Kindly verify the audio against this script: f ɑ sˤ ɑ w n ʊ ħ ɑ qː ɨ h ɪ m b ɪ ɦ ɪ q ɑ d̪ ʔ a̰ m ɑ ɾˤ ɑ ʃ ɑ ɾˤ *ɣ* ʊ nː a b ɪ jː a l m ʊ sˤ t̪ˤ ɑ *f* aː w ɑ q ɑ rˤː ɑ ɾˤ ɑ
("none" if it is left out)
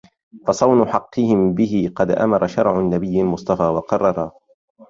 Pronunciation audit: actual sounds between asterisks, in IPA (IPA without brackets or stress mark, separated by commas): ʕ, f